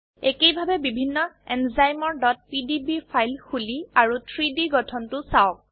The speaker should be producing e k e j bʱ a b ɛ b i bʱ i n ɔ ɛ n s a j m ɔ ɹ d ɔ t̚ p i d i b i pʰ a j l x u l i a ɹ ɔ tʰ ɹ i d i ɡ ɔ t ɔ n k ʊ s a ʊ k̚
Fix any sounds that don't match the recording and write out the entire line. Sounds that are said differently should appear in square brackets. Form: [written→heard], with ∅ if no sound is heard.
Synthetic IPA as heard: e k e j bʱ a b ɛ b i bʱ i [n→nː] ɔ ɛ n [s→z] a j m ɔ ɹ d ɔ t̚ p i d i b i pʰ a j l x u l i a ɹ [ɔ→u] tʰ ɹ i d i ɡ ɔ [t→tʰ] ɔ n [k→t] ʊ s a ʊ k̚